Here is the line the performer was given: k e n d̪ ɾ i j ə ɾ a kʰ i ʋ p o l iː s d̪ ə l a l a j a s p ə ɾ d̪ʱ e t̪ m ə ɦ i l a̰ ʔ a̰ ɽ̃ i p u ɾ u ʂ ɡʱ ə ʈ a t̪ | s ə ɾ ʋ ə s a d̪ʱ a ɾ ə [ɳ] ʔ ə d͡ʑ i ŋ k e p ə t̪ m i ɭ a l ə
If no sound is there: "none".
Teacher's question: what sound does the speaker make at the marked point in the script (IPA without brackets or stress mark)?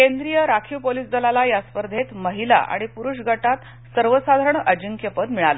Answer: ɳ